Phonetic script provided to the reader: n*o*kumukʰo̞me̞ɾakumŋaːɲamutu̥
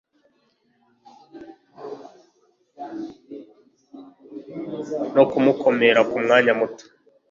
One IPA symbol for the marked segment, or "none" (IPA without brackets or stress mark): o